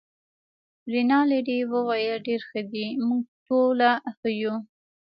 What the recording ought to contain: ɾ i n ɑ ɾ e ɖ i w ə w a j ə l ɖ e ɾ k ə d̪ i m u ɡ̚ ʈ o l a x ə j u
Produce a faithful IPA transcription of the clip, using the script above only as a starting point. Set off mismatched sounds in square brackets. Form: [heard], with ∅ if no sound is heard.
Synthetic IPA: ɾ i n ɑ [l] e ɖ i w ə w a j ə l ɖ e ɾ [x] ə d̪ i m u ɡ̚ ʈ o l a x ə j u

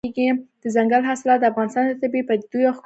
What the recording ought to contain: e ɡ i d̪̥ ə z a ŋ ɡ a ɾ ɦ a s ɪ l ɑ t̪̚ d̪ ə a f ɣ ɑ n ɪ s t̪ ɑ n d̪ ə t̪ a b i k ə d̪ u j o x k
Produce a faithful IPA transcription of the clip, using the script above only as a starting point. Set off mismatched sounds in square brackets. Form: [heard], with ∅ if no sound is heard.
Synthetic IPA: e ɡ i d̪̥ ə z a ŋ ɡ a [l] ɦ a s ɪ l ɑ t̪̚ d̪ ə a f ɣ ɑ n ɪ s t̪ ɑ n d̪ ə t̪ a b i [p] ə d̪ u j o x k

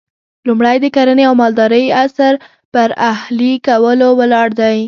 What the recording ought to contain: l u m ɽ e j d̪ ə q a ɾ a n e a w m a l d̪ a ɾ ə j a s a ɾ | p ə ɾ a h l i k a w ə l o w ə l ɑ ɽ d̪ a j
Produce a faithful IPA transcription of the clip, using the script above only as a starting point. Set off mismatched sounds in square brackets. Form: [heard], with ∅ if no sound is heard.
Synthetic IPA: l u m ɽ [a] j d̪ ə [k] a ɾ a n e a w m [ɑ] l d̪ [ɑ] ɾ ə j a s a ɾ | p ə ɾ a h l i k a w ə l o w ə l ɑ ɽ d̪ a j

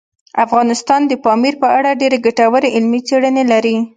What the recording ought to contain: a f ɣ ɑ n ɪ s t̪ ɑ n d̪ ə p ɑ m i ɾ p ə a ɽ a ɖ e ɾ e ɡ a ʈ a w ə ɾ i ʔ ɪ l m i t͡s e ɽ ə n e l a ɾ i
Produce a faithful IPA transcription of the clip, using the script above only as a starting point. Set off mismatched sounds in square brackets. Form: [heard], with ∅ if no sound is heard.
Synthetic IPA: a f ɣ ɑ n ɪ s t̪ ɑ n d̪ ə p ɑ m i ɾ p ə a ɽ a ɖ e ɾ e ɡ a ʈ a w ə ɾ [e] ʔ ɪ l m i t͡s e ɽ ə n e l a ɾ i

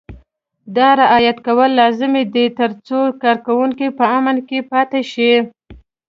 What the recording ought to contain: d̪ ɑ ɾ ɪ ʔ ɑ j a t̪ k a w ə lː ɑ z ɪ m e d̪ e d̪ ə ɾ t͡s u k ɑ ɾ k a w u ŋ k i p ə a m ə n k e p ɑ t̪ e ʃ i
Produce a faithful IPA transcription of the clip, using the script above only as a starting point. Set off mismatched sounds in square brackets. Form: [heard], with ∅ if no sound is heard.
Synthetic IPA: d̪ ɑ ɾ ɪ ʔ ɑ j a t̪ k a w ə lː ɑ z ɪ m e d̪ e [t̪] ə ɾ t͡s [o] k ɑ ɾ k a w u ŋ k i p ə a m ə n k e p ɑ t̪ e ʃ i

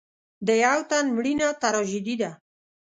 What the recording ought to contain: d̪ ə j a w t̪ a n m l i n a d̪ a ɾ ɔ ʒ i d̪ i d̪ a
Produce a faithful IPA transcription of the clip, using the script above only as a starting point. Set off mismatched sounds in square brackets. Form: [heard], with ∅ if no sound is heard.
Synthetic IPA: d̪ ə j a w t̪ a n m [ɽ] i n a [t̪] a ɾ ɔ ʒ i d̪ i d̪ a

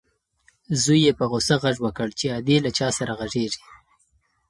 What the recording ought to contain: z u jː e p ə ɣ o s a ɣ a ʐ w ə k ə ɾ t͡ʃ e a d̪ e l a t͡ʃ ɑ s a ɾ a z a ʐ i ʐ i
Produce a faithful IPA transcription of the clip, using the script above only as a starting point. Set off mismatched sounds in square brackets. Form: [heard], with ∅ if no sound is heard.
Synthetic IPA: z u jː e p ə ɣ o s a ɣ a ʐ w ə k ə [ɽ] t͡ʃ e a d̪ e l a t͡ʃ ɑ s a ɾ a [ɣ] a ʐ [e] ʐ i

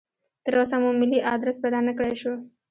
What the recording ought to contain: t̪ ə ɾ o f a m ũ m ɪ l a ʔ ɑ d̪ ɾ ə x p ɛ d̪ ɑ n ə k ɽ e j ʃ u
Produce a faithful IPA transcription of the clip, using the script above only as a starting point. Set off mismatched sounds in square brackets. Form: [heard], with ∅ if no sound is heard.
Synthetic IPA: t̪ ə ɾ o [s] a m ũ m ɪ l [i] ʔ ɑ d̪ ɾ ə [s] p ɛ d̪ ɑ n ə k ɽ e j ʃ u

